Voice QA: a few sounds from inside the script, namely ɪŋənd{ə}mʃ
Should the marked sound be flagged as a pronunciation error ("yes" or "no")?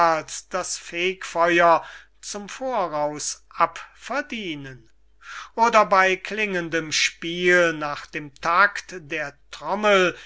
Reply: no